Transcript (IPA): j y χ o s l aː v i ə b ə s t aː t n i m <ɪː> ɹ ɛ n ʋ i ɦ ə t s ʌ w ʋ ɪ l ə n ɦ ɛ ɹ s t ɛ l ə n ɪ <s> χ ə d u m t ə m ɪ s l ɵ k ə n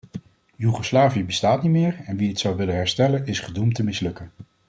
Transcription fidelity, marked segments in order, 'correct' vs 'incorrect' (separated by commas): correct, correct